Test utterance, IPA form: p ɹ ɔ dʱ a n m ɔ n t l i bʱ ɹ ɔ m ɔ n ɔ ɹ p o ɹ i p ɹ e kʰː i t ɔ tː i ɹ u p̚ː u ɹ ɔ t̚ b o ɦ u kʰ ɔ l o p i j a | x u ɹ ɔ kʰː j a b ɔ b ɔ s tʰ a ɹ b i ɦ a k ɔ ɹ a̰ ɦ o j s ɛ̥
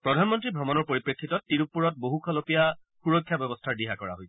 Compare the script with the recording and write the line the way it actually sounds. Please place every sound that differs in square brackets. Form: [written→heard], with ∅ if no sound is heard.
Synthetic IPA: p ɹ ɔ dʱ a n m ɔ n t [l→ɹ] i bʱ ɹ ɔ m ɔ n ɔ ɹ p o ɹ i p ɹ e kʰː i t ɔ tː i ɹ u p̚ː u ɹ ɔ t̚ b o ɦ u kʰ ɔ l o p i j a | x u ɹ ɔ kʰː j a b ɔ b ɔ s tʰ a ɹ [b→d] i ɦ a k ɔ ɹ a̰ ɦ o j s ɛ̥